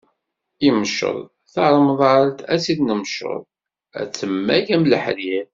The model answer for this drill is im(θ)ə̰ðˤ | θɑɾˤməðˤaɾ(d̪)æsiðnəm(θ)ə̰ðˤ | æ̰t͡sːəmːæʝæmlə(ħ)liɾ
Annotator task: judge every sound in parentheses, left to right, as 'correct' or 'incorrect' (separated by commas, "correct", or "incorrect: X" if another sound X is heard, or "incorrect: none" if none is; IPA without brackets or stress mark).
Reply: incorrect: ʃ, incorrect: t̪, incorrect: ʃ, correct